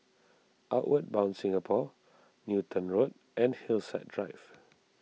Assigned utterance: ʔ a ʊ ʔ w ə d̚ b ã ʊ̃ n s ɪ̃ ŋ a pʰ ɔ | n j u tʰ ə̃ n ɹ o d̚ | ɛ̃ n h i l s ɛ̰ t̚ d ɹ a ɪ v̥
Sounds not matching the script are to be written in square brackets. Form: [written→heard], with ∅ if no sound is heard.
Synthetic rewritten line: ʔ a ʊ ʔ w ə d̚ b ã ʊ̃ n s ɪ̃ ŋ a pʰ ɔ | n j u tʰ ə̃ n ɹ o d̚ | ɛ̃ n h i l s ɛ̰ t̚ d ɹ a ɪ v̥

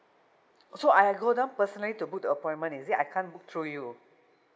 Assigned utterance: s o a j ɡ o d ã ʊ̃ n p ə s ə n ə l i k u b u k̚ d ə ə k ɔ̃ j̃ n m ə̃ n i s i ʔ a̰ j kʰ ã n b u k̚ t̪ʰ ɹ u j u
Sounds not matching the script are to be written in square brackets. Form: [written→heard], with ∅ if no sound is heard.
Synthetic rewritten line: s o a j ɡ o d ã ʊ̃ n p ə s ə n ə l i [k→t] u b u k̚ d ə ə [k→p] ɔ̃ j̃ n m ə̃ n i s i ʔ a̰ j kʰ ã n b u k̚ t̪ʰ ɹ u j u

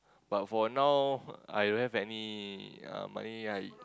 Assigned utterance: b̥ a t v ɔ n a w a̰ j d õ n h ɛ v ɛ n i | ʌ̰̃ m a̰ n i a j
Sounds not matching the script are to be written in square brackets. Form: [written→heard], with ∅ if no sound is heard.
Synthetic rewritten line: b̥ a t [v→f] ɔ n a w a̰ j d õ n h ɛ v ɛ n i | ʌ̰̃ m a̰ n i a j

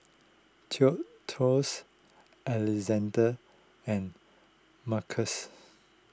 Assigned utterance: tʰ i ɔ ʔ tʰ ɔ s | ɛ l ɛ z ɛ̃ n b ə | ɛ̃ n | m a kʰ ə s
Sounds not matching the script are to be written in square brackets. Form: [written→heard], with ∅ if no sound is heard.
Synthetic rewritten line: tʰ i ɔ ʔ tʰ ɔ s | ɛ l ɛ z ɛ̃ n [b→d] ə | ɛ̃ n | m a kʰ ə s

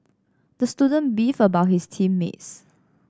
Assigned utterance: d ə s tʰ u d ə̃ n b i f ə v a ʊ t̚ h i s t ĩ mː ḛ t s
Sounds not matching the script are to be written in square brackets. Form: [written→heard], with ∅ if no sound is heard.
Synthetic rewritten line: d ə s [tʰ→t] u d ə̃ n b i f ə [v→b] a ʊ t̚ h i s [t→tʰ] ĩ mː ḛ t s

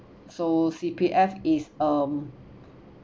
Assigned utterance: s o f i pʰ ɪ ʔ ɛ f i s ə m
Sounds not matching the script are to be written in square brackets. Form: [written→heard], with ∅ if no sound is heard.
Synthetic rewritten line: s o [f→s] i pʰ [ɪ→i] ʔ ɛ f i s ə m

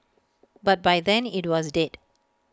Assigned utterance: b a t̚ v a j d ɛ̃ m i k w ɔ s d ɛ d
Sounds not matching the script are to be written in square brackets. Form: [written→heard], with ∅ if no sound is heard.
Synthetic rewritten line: b a t̚ [v→b] a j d ɛ̃ [m→n] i [k→t] w ɔ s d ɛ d

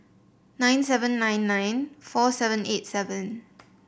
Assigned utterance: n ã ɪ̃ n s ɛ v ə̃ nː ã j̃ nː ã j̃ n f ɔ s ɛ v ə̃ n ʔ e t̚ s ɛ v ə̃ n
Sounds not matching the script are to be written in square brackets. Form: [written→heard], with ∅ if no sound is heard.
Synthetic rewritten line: n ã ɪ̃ n s ɛ v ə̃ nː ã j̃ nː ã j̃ n f ɔ s ɛ v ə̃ n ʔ e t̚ s ɛ v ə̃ n

